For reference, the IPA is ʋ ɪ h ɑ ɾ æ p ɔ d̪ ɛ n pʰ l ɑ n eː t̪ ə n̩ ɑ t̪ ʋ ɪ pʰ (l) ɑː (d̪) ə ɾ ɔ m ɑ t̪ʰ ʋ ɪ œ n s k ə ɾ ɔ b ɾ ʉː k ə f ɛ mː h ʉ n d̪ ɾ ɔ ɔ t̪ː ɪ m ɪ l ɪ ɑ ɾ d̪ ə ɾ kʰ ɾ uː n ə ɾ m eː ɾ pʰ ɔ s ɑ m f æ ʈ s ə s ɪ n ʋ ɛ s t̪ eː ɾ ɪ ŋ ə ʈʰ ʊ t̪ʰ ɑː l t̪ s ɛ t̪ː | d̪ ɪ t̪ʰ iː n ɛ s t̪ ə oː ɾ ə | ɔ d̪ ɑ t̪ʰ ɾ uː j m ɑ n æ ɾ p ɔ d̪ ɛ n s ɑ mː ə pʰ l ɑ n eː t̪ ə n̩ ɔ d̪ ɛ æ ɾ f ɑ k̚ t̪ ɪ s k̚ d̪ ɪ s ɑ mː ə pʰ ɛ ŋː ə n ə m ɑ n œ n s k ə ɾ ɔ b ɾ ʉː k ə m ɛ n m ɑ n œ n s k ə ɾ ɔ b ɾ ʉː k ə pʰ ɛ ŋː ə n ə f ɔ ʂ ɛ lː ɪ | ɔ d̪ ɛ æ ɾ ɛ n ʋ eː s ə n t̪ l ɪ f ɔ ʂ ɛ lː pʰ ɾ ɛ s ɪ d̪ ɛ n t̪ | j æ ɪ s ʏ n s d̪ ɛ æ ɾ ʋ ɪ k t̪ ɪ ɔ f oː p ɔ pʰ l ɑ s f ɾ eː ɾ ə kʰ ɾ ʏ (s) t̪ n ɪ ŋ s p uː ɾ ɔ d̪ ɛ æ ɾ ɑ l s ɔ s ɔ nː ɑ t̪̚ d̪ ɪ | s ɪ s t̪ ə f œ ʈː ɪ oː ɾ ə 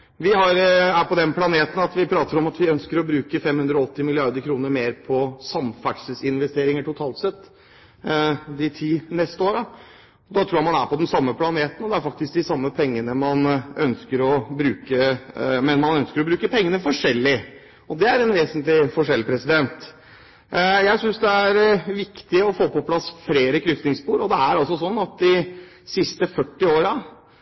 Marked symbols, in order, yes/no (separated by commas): no, no, no